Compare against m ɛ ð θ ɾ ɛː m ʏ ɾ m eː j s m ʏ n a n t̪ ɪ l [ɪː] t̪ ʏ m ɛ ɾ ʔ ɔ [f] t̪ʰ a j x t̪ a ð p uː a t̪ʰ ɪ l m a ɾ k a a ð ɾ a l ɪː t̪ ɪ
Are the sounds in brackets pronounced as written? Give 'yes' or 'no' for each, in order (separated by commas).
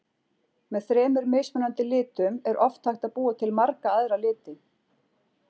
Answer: yes, yes